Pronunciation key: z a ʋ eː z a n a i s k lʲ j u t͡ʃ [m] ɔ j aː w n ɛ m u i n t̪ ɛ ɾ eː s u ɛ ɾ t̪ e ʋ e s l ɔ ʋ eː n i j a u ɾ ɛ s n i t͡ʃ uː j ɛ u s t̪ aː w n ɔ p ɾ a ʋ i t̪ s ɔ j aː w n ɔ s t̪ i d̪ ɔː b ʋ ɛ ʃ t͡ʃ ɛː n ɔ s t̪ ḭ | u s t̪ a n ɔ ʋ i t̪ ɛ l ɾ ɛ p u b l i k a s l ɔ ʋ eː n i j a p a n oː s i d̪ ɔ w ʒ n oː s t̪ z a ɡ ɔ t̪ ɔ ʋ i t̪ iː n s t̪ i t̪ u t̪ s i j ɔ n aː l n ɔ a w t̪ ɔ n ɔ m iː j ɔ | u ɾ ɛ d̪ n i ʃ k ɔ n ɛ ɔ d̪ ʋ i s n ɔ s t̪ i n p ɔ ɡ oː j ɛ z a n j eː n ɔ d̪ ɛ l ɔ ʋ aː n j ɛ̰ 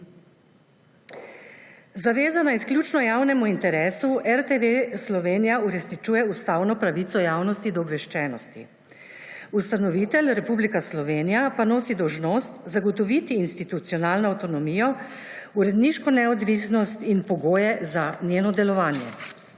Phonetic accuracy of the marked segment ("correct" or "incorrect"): incorrect